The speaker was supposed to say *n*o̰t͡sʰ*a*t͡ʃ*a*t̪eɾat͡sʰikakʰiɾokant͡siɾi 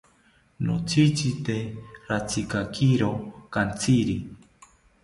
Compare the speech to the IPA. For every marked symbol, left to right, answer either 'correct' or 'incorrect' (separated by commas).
correct, incorrect, incorrect